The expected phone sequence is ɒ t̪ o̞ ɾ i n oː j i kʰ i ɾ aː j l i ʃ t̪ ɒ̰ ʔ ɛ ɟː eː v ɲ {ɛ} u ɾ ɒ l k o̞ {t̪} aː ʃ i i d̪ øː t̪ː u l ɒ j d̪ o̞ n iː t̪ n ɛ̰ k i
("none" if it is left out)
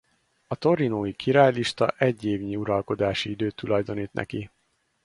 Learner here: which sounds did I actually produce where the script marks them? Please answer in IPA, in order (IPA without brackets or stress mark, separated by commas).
i, d̪